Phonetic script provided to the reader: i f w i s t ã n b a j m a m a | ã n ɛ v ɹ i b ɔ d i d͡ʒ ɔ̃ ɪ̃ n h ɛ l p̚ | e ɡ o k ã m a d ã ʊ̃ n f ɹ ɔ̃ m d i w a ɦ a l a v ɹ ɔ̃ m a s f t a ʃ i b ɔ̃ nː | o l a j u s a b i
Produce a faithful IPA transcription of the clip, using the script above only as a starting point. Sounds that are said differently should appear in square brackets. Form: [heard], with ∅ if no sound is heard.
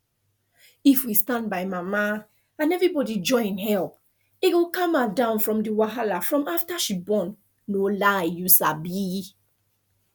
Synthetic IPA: i f w i s t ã n b a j m a m a | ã n ɛ v ɹ i b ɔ d i d͡ʒ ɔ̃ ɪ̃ n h ɛ l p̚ | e ɡ o k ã m a d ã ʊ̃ n f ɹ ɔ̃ m d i w a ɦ a l a [f] ɹ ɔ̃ m a [∅] f t a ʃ i b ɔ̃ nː | o l a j u s a b i